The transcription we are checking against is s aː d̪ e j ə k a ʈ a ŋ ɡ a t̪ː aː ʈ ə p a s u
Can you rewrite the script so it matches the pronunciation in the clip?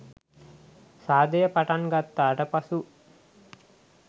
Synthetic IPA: s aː d̪ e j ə p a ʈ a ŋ ɡ a t̪ː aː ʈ ə p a s u